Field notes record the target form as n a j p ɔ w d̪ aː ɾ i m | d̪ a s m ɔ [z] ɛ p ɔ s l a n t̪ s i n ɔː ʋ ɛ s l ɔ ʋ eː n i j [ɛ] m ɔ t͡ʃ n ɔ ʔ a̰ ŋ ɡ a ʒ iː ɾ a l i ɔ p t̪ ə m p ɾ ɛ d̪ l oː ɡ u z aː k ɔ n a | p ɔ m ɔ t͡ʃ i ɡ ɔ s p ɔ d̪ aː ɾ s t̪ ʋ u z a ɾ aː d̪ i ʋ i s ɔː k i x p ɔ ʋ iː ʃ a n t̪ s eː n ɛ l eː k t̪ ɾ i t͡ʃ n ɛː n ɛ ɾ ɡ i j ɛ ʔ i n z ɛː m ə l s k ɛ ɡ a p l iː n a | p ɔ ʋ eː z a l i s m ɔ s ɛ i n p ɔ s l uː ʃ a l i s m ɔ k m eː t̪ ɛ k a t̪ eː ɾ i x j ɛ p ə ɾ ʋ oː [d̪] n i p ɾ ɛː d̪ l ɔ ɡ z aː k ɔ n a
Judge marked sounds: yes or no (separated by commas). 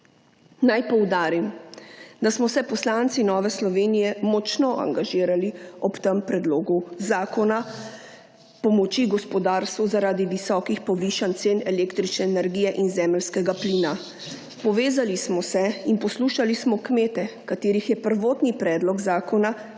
no, yes, no